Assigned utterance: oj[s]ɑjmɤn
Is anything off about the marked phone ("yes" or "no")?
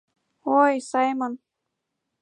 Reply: no